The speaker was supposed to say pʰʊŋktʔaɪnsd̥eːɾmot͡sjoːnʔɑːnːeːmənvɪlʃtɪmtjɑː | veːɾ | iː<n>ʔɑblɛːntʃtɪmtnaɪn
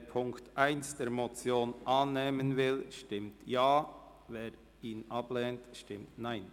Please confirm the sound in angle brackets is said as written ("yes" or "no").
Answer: yes